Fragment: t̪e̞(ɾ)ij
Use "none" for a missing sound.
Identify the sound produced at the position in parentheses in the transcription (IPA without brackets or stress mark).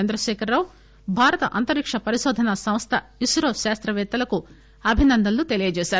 l